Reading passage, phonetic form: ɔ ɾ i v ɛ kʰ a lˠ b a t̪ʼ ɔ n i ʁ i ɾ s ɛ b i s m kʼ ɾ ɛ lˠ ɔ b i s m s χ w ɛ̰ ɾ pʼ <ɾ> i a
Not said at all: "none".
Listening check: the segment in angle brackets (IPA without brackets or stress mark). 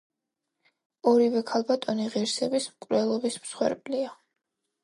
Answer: l